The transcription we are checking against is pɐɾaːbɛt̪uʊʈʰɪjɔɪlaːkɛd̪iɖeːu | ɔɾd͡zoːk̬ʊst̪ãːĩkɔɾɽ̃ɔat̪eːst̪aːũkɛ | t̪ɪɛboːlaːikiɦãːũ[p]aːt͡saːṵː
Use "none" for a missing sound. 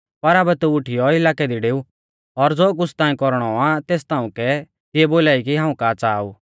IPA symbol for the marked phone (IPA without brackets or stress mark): k